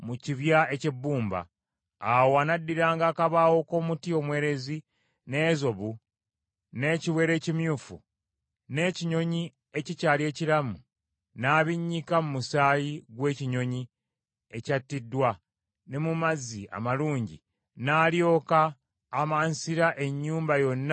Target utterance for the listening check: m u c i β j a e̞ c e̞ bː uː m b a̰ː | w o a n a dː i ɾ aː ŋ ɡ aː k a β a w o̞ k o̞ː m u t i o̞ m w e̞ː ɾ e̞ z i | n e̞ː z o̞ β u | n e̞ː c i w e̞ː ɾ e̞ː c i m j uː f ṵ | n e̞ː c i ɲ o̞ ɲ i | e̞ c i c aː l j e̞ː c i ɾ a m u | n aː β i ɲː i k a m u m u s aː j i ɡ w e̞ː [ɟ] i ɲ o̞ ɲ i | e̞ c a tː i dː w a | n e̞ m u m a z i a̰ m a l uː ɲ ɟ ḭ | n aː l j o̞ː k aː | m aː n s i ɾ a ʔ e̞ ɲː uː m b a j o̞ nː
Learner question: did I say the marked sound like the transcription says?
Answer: no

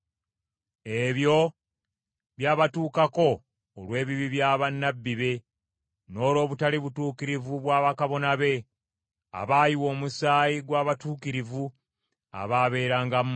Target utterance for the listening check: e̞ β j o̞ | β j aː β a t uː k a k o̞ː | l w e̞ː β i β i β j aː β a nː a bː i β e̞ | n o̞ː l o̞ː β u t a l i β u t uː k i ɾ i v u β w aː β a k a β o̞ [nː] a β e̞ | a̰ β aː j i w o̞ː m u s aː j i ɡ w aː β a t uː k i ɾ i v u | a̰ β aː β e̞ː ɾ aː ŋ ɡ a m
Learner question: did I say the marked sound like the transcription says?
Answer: no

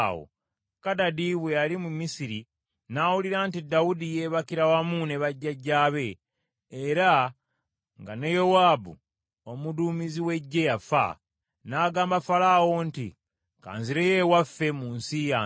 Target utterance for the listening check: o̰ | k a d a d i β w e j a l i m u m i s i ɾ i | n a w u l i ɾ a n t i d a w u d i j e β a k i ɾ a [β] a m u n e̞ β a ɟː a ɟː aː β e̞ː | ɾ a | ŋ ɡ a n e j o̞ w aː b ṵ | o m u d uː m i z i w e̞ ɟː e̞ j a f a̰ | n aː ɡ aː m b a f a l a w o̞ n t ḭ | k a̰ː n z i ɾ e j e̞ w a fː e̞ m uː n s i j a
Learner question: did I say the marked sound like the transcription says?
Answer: no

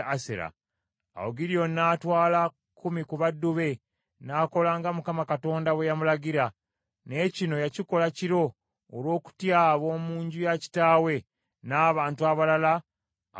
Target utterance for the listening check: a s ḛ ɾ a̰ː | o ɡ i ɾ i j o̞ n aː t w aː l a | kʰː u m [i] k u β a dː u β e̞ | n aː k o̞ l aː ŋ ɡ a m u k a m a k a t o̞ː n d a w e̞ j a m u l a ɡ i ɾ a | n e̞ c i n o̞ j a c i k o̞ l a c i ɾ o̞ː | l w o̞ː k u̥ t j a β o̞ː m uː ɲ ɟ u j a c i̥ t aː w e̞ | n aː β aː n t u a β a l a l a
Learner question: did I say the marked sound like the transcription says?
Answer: yes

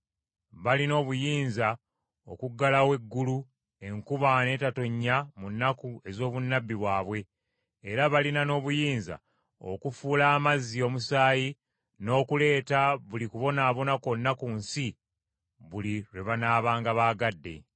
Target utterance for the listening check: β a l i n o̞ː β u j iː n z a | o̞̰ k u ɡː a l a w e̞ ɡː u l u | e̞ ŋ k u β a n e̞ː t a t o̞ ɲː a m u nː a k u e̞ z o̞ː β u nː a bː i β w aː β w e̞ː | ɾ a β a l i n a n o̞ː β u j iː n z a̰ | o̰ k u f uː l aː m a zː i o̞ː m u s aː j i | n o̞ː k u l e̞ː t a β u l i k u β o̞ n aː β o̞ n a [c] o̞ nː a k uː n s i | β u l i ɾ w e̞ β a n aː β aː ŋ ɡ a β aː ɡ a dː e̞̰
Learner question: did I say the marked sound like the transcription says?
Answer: no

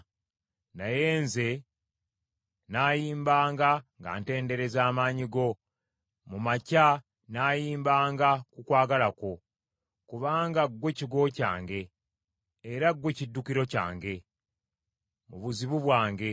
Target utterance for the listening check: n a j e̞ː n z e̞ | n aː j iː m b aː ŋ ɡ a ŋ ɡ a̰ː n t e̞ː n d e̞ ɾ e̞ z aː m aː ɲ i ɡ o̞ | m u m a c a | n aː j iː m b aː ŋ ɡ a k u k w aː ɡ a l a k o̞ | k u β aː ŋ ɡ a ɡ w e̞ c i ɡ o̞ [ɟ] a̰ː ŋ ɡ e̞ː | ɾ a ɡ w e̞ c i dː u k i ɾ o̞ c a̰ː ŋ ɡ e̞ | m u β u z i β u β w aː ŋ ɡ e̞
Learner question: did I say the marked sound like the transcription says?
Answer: no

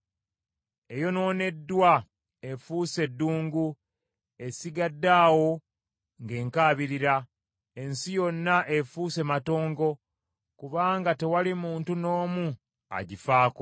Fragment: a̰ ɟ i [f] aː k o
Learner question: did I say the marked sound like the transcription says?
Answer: yes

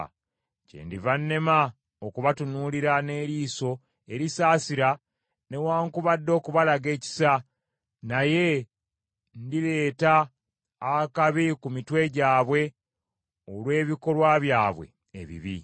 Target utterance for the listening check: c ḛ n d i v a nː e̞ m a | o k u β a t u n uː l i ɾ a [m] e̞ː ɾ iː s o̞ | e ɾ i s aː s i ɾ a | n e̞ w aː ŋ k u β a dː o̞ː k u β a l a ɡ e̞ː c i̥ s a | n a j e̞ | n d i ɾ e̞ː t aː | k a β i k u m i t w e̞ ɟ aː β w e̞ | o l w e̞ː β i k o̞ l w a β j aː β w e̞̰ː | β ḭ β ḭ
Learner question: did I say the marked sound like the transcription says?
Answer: no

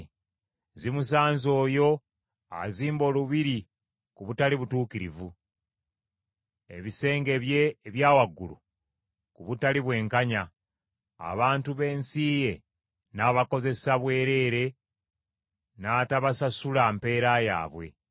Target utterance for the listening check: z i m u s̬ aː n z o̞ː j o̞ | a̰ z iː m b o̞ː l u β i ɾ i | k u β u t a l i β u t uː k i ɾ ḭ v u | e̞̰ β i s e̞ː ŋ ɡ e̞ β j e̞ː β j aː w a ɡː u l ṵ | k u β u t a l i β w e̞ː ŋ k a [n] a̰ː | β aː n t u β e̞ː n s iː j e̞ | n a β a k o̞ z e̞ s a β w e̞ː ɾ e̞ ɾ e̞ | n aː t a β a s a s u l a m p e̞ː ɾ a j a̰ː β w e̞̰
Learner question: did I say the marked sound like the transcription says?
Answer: no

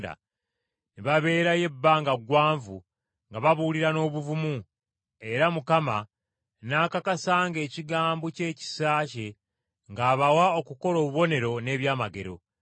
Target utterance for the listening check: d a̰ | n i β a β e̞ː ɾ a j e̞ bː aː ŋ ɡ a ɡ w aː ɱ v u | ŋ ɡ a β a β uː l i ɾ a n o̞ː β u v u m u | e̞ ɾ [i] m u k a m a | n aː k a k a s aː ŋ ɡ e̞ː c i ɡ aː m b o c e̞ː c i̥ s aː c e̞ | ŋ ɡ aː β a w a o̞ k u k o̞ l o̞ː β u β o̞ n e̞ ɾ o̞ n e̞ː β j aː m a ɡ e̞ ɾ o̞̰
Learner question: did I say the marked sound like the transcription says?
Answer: no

